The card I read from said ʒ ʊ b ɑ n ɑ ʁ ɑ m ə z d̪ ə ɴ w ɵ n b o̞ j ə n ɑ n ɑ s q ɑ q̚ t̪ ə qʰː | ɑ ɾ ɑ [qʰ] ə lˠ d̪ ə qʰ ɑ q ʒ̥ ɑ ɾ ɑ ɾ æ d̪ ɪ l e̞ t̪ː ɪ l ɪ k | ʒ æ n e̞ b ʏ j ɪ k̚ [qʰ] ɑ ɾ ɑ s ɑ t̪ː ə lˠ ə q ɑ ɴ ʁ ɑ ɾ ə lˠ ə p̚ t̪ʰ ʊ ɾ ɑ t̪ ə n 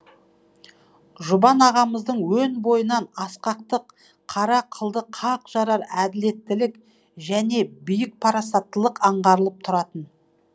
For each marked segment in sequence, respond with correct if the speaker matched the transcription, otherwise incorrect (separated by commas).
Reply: correct, incorrect